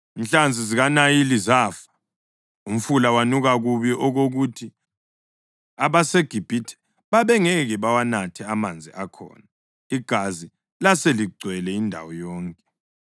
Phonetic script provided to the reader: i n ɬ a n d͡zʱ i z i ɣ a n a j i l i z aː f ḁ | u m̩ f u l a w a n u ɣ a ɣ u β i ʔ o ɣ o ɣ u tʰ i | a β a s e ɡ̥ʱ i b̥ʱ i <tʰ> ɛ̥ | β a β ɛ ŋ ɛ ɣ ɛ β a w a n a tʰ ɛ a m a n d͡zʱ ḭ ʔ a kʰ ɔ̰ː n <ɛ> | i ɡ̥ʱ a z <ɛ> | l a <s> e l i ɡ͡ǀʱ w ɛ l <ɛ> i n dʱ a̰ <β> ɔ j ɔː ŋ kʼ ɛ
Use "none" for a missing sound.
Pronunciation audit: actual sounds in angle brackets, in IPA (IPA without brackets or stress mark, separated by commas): tʰ, a, i, s, ɛ, w